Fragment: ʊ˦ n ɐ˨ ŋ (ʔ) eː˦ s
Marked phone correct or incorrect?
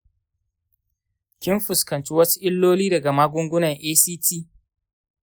correct